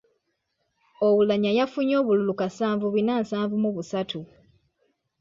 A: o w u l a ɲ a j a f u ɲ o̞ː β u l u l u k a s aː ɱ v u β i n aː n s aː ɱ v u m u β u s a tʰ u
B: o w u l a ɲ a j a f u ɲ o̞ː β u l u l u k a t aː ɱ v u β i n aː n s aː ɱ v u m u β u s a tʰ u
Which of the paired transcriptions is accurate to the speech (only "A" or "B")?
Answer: A